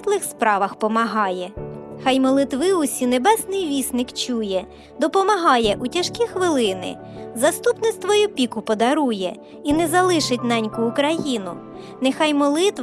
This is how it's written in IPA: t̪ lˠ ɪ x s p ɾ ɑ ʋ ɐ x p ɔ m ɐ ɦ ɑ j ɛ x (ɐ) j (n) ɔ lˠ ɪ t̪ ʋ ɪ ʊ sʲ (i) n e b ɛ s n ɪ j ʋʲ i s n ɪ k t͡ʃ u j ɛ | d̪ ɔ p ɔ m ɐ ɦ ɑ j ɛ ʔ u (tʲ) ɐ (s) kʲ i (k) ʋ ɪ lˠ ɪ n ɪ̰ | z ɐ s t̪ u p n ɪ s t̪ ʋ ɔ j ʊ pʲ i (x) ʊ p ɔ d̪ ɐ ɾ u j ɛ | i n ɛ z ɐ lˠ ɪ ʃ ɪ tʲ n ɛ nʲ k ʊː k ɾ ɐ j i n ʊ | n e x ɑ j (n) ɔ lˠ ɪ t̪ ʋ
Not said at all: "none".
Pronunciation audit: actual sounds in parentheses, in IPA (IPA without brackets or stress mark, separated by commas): ɑ, m, i, tʲ, ʃ, x, k, m